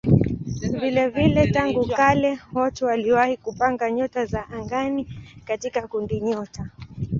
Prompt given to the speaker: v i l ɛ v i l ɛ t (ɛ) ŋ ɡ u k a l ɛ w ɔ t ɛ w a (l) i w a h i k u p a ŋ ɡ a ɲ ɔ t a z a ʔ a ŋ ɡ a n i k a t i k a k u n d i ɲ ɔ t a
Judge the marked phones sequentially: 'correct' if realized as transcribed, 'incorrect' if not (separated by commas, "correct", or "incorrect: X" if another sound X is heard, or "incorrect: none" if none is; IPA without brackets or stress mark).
incorrect: a, correct